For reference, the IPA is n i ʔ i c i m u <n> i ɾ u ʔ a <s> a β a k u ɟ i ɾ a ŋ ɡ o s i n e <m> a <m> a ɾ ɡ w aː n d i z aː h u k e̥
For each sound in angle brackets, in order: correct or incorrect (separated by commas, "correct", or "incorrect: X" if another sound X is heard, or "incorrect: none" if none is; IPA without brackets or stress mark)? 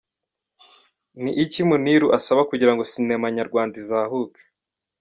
correct, correct, correct, incorrect: ɲ